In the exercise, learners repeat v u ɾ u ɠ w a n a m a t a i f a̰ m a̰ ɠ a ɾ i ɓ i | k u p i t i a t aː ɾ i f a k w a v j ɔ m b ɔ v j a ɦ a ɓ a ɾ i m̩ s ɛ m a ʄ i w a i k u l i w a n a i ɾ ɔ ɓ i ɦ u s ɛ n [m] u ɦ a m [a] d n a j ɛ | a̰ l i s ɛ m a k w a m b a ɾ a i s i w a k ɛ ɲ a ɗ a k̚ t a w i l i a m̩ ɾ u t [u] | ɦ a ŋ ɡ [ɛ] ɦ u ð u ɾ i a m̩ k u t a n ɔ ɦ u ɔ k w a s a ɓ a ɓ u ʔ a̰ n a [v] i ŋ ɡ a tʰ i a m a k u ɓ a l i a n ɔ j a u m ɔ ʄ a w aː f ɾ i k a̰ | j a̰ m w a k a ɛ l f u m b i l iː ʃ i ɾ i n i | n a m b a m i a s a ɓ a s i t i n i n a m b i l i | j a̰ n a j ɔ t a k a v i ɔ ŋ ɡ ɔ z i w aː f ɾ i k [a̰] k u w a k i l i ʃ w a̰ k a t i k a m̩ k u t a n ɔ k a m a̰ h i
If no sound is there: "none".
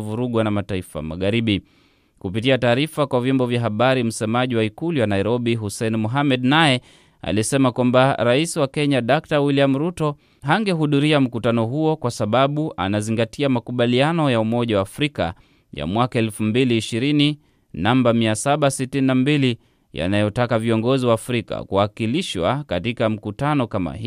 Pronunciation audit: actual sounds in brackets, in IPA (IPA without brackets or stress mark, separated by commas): m, ɛ, ɔ, ɛ, z, a̰